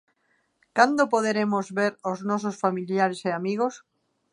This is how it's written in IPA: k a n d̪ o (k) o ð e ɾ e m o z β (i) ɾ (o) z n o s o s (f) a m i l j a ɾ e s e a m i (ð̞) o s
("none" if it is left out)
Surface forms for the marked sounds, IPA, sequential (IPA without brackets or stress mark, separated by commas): p, e, o, f, ɣ̞